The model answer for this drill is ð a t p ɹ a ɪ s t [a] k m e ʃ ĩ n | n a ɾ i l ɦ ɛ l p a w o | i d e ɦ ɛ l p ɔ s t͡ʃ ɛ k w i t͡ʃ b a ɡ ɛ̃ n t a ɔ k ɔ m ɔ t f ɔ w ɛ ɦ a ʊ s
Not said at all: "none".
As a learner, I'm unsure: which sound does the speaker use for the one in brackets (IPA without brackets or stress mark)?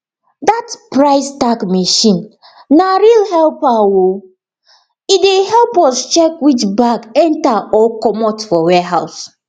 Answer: a